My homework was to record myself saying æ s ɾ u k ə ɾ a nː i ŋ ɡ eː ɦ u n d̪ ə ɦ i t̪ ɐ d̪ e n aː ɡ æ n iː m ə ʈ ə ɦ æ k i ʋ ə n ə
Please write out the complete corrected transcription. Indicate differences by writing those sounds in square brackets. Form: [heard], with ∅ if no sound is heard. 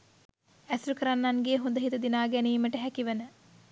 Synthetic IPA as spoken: æ s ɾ u k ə ɾ a nː [a] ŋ ɡ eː ɦ u n d̪ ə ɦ i t̪ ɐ d̪ [i] n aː ɡ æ n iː m ə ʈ ə ɦ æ k i ʋ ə n ə